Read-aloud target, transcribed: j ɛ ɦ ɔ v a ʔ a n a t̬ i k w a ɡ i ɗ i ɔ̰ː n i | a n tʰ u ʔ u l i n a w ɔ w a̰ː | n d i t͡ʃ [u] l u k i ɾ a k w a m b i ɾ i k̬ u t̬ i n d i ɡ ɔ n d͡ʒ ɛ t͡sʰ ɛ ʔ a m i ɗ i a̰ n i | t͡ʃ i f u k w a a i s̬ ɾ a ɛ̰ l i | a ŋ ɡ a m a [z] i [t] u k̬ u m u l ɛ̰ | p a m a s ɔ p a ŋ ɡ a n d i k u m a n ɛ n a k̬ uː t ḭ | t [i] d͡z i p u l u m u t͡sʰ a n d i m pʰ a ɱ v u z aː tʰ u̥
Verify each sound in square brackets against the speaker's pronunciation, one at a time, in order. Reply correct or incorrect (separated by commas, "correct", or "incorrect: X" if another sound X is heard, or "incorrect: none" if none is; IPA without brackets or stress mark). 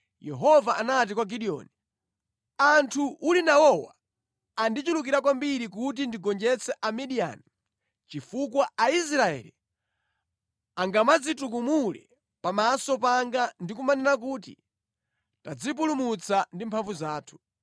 correct, incorrect: d͡z, correct, incorrect: a